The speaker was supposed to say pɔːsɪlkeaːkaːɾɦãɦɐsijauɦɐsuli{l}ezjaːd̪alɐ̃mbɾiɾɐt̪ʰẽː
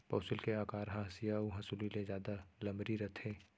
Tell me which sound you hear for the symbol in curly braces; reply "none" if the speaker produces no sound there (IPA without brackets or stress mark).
l